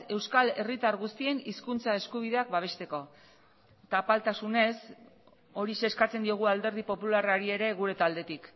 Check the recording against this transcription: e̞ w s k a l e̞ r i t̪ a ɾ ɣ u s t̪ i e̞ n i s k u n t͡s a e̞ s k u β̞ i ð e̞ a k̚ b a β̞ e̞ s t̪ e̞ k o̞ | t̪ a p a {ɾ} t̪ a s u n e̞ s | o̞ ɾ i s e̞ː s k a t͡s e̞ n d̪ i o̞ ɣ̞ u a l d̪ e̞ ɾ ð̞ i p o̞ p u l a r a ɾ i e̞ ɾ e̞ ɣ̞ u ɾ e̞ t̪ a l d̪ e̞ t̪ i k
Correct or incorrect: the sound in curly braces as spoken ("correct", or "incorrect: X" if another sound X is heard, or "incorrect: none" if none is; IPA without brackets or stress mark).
incorrect: l